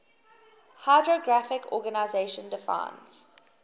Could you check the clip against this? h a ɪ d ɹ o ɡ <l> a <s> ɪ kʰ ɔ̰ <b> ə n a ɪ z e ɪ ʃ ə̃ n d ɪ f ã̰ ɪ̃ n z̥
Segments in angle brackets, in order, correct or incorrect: incorrect: ɹ, incorrect: f, incorrect: ɡ

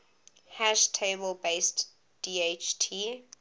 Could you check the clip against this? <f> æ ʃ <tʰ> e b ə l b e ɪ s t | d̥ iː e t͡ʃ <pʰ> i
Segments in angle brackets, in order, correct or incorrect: incorrect: h, correct, incorrect: tʰ

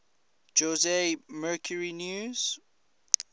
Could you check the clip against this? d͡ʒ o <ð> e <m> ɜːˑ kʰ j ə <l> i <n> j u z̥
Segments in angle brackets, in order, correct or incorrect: incorrect: z, correct, incorrect: ɹ, correct

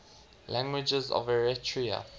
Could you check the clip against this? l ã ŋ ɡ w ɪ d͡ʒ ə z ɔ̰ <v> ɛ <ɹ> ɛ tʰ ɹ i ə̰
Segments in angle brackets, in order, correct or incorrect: correct, correct

